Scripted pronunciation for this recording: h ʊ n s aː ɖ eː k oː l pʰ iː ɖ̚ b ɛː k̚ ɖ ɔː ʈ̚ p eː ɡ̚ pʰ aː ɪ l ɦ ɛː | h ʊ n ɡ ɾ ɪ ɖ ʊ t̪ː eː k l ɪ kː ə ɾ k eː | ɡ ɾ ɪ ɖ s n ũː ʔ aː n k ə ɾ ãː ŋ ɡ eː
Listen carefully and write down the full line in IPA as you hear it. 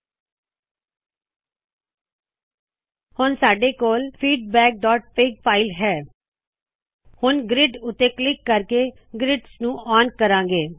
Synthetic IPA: h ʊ n s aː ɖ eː k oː l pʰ iː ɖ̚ b ɛː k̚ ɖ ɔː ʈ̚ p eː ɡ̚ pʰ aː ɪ l ɦ ɛː | h ʊ n ɡ ɾ ɪ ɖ ʊ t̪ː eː k l ɪ kː ə ɾ k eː | ɡ ɾ ɪ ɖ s n ũː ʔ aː n k ə ɾ ãː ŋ ɡ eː